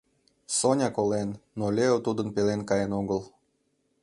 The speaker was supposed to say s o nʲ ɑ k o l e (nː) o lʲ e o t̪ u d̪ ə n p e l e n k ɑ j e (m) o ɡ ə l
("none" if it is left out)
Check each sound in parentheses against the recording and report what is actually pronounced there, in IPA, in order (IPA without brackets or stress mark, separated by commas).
nː, n